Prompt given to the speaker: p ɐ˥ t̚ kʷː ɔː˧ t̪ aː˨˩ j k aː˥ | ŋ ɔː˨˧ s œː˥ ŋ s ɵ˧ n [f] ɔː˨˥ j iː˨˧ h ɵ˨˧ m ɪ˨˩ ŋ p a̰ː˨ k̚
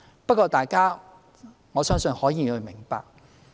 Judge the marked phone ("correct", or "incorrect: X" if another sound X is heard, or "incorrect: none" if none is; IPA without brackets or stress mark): incorrect: h